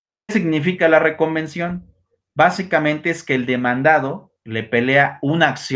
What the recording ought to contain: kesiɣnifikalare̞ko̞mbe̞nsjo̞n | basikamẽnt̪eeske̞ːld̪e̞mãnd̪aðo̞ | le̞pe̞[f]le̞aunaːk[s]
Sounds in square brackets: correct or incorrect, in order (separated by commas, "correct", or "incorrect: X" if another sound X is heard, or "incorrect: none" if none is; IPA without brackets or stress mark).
incorrect: none, correct